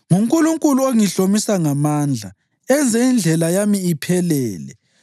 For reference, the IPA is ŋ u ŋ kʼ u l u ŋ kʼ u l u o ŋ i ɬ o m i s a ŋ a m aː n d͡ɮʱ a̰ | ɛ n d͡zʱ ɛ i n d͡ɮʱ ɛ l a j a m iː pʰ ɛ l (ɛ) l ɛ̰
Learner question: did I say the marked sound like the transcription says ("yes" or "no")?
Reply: no